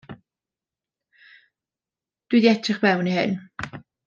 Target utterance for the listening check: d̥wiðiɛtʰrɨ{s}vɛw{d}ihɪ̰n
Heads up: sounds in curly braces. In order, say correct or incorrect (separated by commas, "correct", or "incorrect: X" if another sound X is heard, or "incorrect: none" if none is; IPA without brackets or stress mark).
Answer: incorrect: χ, incorrect: n